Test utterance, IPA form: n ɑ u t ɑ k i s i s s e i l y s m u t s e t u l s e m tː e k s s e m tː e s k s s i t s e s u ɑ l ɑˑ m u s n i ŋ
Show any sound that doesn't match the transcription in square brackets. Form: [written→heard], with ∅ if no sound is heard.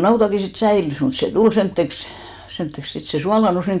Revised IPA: n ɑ u t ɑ k i s i [s→t] s [e→æ] i l y s m u t s e t u l s e m tː e k s s e m tː e [s→∅] k s s i t s e s u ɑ l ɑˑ [m→n] u s n i ŋ

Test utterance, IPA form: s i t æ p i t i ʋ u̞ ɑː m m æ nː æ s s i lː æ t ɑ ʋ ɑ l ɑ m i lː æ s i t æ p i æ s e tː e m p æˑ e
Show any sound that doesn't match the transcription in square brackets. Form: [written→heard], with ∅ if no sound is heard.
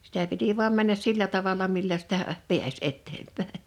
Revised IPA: s i t æ p i t i ʋ u̞ [ɑː→ɑ] m m æ nː æ s s i lː æ t ɑ ʋ ɑ l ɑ m i lː æ s i t æ p i æ s e tː e m p æˑ e

